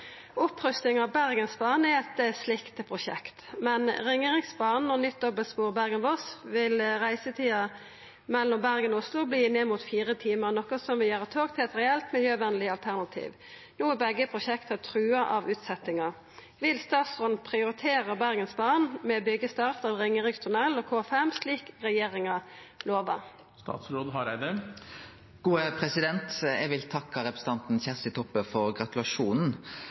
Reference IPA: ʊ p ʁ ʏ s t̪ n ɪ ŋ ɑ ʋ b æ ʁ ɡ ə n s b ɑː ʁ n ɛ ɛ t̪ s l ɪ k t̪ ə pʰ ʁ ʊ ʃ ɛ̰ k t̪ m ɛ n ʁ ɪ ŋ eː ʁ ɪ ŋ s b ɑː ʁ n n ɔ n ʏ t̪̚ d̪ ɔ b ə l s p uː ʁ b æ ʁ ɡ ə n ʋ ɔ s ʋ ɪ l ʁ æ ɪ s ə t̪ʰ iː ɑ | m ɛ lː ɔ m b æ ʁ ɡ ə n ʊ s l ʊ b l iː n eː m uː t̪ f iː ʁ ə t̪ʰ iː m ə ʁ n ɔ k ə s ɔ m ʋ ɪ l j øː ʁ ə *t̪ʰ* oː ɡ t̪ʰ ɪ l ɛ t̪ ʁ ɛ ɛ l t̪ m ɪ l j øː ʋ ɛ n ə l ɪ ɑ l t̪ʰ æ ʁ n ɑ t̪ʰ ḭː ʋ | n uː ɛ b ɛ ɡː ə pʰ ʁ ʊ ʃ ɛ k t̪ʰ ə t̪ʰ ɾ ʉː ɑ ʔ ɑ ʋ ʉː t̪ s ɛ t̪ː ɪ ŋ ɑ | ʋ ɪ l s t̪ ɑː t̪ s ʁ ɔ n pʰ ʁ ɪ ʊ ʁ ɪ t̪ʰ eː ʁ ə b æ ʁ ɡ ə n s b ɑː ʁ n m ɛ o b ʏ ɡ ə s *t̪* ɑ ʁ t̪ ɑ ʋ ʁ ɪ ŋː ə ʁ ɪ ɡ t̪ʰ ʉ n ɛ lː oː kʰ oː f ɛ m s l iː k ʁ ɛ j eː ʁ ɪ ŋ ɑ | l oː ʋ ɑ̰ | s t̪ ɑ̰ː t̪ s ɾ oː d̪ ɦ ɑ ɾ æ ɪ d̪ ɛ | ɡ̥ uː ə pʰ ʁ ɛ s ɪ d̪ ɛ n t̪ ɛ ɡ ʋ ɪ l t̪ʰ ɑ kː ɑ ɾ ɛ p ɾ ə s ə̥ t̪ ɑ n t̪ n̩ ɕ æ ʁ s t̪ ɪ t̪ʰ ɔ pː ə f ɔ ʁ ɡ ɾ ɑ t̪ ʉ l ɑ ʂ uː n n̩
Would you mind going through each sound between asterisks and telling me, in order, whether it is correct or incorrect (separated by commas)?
correct, correct